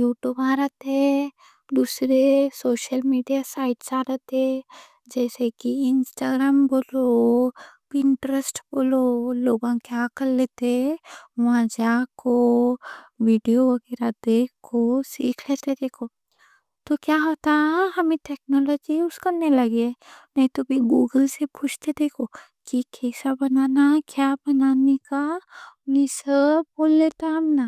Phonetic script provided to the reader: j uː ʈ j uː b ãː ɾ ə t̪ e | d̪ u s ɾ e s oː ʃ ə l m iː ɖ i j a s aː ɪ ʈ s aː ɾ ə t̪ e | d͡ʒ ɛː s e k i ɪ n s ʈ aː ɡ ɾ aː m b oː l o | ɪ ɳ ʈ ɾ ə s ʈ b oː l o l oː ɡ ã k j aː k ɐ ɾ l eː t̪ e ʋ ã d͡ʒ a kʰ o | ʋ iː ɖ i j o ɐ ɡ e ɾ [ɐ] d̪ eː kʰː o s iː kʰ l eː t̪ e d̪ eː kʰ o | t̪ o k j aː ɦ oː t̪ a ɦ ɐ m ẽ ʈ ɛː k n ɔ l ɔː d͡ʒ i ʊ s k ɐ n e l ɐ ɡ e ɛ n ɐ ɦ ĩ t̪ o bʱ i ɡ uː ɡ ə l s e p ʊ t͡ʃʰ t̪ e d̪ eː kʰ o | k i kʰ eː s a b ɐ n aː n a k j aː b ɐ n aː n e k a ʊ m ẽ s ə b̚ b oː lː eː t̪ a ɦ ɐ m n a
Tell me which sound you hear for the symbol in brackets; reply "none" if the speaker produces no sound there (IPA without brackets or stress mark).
a